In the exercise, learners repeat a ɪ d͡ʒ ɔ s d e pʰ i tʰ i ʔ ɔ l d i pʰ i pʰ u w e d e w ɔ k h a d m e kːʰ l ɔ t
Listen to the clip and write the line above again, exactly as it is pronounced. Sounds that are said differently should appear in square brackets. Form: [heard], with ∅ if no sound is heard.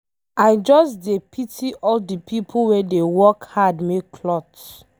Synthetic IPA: a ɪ d͡ʒ ɔ s d e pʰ i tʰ i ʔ ɔ l d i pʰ i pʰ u w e d e w ɔ k h a d m e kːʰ l ɔ t

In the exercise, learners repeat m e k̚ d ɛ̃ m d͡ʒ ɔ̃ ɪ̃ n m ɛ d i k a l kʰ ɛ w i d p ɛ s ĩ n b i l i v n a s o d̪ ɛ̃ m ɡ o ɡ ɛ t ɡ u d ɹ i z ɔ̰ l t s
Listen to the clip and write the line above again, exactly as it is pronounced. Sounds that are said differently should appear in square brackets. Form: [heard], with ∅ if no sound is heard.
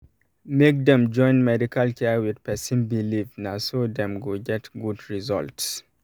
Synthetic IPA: m e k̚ d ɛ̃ m d͡ʒ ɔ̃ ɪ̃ n m ɛ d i k a l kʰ ɛ w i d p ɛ s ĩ n b i l i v n a s o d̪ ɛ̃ m ɡ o ɡ ɛ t ɡ u d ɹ i z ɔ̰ l t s

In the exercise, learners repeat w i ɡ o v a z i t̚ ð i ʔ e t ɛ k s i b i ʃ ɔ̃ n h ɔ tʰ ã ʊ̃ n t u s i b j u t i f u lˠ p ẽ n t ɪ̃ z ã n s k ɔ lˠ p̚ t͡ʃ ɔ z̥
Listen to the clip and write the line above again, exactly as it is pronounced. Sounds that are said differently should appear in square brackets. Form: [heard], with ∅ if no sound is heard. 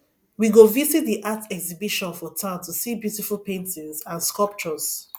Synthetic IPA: w i ɡ o v [i] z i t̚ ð i ʔ [a] t ɛ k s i b i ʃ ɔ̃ n [f] ɔ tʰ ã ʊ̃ n t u s i b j u t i f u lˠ p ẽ n t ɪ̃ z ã n s k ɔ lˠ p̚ t͡ʃ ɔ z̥

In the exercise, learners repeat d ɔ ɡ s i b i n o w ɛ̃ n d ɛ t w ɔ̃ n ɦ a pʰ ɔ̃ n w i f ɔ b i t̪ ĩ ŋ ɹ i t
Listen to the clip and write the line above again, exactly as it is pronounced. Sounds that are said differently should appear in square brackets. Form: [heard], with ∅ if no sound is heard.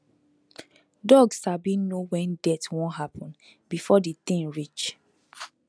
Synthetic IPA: d ɔ ɡ s [a] b i n o w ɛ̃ n d ɛ t w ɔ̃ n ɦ a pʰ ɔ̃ n [b] i f ɔ [d] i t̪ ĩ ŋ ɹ i [t͡ʃ]

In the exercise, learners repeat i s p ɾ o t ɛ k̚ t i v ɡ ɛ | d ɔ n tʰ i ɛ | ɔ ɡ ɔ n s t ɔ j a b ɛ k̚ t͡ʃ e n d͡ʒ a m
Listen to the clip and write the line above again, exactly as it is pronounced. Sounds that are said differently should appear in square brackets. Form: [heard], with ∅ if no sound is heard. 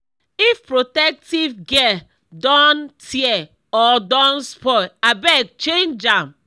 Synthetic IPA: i [f] p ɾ o t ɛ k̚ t i v ɡ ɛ | d ɔ n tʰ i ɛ | ɔ [d] ɔ n s [p] ɔ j a b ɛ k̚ t͡ʃ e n d͡ʒ a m

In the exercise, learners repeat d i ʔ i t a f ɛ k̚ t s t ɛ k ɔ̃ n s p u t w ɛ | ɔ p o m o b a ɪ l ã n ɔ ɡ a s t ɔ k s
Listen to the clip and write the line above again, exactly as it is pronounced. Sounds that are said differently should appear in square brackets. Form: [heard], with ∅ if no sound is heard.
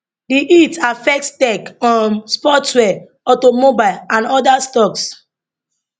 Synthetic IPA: d i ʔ i t a f ɛ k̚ t s t ɛ k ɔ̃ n s p [ɔ] t w ɛ | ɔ [t] o m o b a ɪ l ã n ɔ [d] a s t ɔ k s

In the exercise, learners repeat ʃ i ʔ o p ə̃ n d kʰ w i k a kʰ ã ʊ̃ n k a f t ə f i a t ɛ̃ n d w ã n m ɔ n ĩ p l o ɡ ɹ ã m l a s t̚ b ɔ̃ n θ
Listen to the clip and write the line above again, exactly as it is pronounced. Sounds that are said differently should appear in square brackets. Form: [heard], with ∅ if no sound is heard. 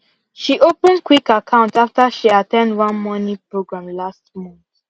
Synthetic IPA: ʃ i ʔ o p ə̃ n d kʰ w i k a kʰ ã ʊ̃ n [t] a f t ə [ʃ] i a t ɛ̃ n d w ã n m ɔ n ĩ p [ɹ] o ɡ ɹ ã m l a s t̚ [m] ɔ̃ n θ

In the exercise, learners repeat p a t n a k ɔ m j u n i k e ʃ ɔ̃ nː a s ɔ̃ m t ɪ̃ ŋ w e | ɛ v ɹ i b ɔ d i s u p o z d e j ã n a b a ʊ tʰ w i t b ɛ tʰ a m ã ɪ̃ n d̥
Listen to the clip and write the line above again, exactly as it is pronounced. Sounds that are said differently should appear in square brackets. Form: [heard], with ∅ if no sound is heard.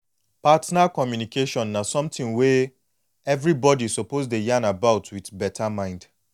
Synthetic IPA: p a t n a k ɔ m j u n i k e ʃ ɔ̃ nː a s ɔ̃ m t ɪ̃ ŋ w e | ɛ v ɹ i b ɔ d i s [o] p o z d e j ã n a b a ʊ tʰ w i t b ɛ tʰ a m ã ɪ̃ n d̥

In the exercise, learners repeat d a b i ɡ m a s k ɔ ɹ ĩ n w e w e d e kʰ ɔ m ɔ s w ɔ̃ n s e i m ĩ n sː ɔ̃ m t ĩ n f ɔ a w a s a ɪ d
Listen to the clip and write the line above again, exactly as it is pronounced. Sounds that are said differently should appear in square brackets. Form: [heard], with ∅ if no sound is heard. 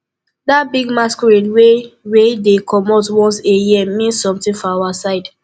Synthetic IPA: d a b i ɡ m a s k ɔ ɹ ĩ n w e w e d e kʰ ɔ m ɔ [t] w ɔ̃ n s e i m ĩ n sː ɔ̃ m t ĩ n f ɔ a w a s a ɪ d

